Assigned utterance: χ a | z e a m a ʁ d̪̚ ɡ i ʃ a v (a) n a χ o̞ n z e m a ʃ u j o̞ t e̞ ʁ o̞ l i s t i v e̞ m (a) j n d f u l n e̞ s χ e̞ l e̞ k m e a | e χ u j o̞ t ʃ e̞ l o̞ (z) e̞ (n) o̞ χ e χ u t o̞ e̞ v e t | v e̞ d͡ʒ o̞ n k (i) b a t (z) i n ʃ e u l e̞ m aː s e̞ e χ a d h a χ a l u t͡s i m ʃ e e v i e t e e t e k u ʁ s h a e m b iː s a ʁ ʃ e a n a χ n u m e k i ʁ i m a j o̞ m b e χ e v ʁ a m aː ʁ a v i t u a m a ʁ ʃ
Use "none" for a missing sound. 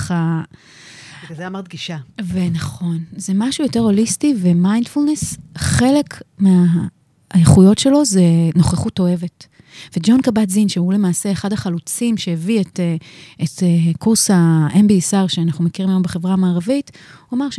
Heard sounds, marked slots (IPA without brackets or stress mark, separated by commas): e, a, z, n, a, z